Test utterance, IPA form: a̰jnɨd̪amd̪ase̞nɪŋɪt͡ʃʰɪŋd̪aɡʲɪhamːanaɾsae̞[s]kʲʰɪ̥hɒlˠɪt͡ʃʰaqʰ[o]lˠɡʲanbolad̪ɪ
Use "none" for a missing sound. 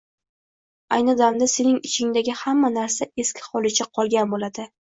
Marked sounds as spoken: s, ɒ

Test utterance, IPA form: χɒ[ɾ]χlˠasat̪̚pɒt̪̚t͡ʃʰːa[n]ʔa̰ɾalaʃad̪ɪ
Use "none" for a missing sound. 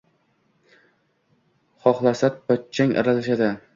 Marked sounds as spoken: none, ŋ

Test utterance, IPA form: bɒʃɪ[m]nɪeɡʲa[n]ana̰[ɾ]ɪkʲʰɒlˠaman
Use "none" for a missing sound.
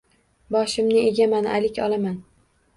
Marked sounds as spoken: m, m, l

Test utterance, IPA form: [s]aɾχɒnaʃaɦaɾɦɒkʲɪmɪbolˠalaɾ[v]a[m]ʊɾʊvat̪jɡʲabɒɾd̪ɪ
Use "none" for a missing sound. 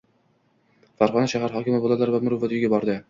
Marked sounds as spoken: f, v, m

